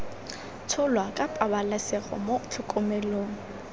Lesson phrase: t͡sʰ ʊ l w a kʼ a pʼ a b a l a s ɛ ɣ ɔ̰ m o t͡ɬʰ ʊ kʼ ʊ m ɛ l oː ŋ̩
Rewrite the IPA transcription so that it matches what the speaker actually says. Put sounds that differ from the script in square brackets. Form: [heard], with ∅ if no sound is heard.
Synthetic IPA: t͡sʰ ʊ l w a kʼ a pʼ a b a l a s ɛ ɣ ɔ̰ m o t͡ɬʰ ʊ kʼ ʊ m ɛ l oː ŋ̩